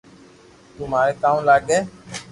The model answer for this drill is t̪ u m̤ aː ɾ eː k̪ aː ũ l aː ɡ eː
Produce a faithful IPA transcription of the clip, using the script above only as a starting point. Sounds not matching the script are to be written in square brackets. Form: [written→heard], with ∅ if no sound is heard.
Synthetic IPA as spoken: t̪ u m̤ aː ɾ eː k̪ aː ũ l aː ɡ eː